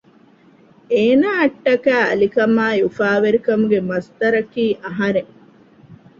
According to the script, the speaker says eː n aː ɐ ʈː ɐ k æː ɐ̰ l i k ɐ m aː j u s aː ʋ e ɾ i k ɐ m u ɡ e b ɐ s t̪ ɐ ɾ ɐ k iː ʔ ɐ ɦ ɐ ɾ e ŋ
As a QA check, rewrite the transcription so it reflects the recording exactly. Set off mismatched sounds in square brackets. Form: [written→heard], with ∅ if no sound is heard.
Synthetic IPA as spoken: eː n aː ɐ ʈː ɐ k æː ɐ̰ l i k ɐ m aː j u [s→f] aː ʋ e ɾ i k ɐ m u ɡ e [b→m] ɐ s t̪ ɐ ɾ ɐ k iː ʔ ɐ ɦ ɐ ɾ e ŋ